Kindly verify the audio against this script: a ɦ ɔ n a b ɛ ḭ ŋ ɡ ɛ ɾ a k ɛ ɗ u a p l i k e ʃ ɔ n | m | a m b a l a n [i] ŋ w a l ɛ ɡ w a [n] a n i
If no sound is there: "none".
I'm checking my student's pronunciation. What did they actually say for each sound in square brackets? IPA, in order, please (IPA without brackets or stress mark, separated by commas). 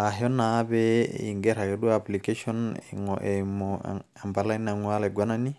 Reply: a, n